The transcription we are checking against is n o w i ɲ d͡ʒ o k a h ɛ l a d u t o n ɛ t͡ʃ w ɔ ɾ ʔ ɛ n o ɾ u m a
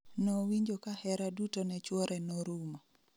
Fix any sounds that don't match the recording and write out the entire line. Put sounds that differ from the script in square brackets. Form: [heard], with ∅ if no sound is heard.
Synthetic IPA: n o w i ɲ d͡ʒ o k a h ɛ [ɾ] a d u t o n ɛ t͡ʃ w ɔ ɾ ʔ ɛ n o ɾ u m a